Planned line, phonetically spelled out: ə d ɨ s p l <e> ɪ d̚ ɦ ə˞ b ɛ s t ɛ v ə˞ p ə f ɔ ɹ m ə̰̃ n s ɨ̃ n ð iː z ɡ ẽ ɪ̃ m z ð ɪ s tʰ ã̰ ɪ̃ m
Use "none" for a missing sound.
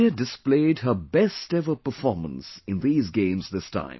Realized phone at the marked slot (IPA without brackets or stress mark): e